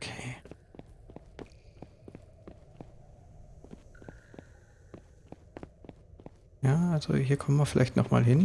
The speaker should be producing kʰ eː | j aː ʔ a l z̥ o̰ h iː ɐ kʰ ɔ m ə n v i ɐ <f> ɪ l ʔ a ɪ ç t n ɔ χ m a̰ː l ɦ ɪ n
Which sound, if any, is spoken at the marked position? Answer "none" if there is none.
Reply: f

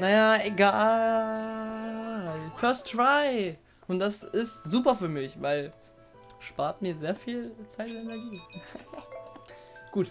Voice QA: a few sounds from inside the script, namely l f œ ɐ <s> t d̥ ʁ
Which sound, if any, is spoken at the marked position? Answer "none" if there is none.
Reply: s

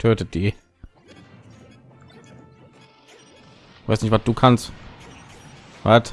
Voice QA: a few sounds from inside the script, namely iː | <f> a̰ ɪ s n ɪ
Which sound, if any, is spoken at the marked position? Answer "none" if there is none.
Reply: v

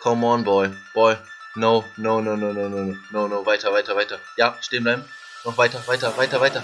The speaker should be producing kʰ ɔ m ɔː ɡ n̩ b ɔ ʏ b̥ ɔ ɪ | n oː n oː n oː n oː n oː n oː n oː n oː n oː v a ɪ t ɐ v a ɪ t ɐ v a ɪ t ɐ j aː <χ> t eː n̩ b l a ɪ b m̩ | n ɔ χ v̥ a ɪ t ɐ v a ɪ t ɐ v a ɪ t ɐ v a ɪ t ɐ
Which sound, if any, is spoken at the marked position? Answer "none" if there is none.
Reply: ʃ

